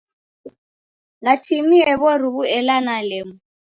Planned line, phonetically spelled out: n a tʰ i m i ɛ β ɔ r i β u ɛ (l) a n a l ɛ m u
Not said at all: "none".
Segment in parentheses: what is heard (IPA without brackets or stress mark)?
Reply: l